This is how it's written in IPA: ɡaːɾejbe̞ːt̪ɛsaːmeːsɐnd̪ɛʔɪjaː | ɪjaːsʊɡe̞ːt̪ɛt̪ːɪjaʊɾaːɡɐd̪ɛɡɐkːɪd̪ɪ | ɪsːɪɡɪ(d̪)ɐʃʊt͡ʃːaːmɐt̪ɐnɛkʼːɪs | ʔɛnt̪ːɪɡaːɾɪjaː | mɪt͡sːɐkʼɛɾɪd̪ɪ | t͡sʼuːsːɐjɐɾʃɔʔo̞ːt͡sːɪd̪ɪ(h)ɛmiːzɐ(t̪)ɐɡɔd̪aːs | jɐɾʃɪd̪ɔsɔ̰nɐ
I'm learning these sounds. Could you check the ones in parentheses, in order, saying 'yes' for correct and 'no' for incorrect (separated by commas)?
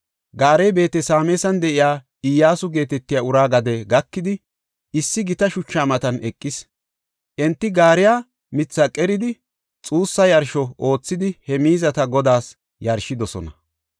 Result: no, yes, yes